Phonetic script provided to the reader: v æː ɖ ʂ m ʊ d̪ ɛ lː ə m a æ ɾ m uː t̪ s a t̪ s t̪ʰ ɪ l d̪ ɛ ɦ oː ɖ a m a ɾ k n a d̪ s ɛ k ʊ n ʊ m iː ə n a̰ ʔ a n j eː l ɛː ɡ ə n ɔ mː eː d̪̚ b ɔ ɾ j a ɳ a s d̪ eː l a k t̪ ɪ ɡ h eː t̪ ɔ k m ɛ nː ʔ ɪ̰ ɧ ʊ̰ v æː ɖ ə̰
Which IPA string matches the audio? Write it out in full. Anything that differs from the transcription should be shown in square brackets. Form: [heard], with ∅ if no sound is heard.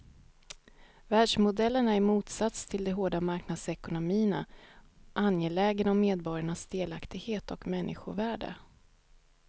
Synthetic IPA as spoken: v æː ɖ ʂ m ʊ d̪ ɛ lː ə [ɳ] a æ ɾ m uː t̪ s a t̪ s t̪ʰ ɪ l d̪ ɛ ɦ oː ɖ a m a ɾ k n a d̪ s ɛ k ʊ n ʊ m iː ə n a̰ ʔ a n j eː l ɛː ɡ ə n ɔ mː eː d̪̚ b ɔ ɾ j a ɳ a s d̪ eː l a k t̪ ɪ ɡ h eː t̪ ɔ k m ɛ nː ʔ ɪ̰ ɧ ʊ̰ v æː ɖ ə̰

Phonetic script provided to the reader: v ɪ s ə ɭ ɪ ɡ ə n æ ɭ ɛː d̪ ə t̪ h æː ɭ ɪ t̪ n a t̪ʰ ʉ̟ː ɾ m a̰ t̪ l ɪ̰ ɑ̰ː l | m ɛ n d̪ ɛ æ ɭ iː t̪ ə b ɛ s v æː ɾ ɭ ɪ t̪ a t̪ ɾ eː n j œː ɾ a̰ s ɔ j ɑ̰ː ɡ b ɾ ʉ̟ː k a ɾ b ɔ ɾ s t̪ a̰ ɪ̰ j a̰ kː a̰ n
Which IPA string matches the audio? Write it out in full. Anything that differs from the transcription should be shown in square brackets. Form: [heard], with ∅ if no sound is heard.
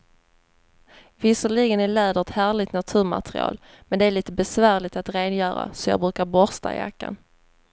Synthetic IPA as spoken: v ɪ s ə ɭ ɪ ɡ ə n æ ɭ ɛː d̪ ə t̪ h æː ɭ ɪ t̪ n a t̪ʰ ʉ̟ː ɾ m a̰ t̪ [ɾ] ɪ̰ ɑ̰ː l | m ɛ n d̪ ɛ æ ɭ iː t̪ ə b ɛ s v æː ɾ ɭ ɪ t̪ a t̪ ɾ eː n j œː ɾ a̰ s ɔ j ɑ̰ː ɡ b ɾ ʉ̟ː k a ɾ b ɔ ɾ s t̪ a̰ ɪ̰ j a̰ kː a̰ n

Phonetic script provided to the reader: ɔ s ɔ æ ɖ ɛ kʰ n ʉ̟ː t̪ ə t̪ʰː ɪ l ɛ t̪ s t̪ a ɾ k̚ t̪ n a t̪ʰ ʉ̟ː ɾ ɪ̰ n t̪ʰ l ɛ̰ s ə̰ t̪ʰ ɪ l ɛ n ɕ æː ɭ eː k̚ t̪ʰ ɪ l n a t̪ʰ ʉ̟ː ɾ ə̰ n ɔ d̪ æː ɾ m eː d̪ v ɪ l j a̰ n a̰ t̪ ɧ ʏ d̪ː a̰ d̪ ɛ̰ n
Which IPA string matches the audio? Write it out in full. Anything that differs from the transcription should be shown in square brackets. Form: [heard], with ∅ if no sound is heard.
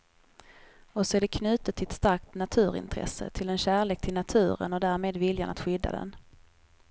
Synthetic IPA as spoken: ɔ s ɔ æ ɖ ɛ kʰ n ʉ̟ː t̪ ə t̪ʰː ɪ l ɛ t̪ s t̪ a ɾ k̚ t̪ n a t̪ʰ ʉ̟ː ɾ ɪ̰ n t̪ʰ [ɾ] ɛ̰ s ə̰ t̪ʰ ɪ l ɛ n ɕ æː ɭ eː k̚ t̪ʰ ɪ l n a t̪ʰ ʉ̟ː ɾ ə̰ n ɔ d̪ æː ɾ m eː d̪ v ɪ l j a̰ n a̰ t̪ ɧ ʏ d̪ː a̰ d̪ ɛ̰ n

